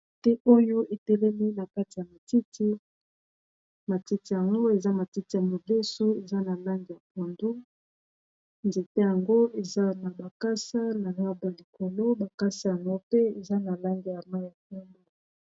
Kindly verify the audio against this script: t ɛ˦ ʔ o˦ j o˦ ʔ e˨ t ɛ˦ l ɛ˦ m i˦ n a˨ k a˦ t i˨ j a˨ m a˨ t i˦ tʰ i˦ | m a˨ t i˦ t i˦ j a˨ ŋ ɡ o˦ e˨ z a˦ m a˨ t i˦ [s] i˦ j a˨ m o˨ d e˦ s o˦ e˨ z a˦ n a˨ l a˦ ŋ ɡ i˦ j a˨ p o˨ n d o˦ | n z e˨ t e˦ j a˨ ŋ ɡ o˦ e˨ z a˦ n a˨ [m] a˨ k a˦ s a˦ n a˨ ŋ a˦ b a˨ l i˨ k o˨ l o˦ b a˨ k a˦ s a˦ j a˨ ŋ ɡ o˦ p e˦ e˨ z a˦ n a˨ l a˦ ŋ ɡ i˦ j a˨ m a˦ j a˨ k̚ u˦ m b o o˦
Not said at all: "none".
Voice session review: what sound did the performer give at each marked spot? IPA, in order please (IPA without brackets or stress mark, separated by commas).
t, b